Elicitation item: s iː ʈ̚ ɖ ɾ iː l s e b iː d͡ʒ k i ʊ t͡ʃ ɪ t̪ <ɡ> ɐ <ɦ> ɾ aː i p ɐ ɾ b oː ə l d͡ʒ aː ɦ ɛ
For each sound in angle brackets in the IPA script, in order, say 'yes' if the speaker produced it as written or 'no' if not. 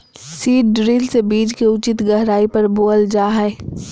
yes, yes

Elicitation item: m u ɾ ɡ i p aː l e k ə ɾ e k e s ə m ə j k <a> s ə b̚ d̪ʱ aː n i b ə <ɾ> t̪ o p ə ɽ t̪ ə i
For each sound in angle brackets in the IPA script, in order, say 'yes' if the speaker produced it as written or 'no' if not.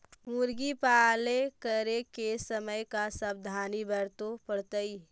yes, yes

